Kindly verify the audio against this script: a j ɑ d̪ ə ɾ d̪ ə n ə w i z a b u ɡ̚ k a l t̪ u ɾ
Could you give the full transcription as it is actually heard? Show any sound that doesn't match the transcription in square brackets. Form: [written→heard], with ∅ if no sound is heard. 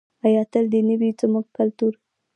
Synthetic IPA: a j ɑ [d̪→t̪] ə [ɾ→l] d̪ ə n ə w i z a [b→m] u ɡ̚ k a l t̪ u ɾ